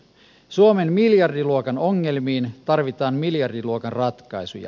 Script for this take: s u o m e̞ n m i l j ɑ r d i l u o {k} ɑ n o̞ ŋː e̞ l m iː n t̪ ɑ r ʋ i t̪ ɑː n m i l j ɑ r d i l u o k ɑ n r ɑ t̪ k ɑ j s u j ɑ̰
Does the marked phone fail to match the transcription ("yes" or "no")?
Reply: no